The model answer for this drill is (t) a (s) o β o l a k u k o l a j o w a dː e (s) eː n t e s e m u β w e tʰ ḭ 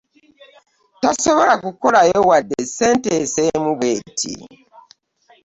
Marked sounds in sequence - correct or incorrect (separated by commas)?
correct, correct, correct